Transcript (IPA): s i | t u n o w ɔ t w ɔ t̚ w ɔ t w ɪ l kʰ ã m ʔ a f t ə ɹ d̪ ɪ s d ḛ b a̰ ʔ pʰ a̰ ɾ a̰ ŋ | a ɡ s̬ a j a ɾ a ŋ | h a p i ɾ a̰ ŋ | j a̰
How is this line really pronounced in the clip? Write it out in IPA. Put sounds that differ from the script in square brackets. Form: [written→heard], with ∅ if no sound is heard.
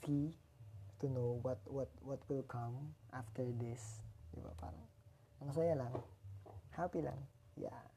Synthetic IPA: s i | t u n o w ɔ t w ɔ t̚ w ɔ t w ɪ l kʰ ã m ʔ a f t ə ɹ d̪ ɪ s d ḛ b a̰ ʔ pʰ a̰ ɾ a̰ ŋ | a [ɡ→ŋ] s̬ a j a [ɾ→l] a ŋ | h a p i [ɾ→l] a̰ ŋ | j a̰